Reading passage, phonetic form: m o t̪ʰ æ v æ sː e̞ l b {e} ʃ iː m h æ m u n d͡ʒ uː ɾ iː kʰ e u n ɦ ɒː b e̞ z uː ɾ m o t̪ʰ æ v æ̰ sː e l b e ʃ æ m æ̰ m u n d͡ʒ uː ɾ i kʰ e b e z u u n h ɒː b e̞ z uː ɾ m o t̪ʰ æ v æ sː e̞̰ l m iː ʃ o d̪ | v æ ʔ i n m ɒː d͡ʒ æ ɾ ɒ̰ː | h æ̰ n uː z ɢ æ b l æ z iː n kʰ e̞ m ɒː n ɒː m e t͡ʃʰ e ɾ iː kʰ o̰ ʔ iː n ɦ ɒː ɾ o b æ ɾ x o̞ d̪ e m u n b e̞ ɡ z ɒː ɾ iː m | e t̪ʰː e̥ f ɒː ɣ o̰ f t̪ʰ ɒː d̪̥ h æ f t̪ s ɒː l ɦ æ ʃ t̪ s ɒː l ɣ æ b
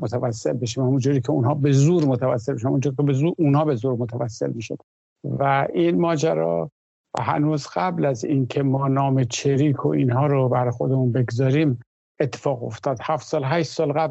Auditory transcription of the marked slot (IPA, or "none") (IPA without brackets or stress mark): e